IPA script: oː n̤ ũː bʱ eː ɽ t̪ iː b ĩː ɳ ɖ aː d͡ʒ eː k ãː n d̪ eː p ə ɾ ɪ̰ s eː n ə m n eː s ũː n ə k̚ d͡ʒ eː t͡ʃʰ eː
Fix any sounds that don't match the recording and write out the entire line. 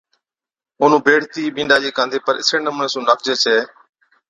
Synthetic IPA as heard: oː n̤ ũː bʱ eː ɽ t̪ iː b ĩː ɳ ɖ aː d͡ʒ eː k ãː n d̪ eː p ə ɾ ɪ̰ s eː n ə m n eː s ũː n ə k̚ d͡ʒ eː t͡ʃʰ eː